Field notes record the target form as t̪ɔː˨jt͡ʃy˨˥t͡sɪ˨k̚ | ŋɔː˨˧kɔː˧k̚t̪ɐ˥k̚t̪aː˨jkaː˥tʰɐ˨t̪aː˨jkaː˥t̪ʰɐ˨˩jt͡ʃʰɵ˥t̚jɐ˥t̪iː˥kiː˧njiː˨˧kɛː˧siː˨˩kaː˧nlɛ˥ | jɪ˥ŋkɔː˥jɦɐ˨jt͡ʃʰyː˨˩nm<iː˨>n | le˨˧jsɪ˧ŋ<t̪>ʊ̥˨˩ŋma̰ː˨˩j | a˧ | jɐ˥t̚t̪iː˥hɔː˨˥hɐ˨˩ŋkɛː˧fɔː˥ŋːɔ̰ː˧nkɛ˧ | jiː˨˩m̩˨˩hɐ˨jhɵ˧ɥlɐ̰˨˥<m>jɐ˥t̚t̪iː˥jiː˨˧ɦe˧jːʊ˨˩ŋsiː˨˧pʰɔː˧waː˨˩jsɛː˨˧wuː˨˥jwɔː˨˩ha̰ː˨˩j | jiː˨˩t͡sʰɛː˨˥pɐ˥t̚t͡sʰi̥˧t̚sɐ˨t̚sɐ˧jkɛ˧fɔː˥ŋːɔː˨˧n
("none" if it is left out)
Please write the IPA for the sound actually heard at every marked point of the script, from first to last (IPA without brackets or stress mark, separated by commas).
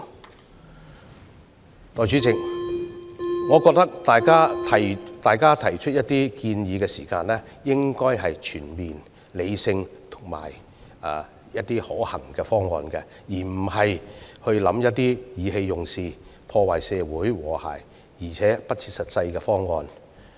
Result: iː˨, t̪ʰ, m